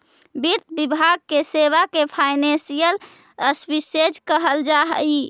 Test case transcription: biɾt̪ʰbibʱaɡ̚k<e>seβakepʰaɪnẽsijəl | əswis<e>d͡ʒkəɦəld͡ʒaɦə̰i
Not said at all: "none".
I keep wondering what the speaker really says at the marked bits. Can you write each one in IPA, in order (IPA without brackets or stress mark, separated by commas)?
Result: e, e